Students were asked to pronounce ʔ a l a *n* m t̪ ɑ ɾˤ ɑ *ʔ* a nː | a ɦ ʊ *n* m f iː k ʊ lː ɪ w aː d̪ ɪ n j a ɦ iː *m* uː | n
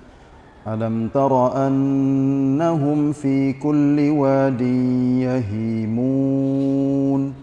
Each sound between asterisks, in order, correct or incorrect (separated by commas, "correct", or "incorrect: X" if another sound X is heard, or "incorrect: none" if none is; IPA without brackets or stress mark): incorrect: none, correct, incorrect: none, correct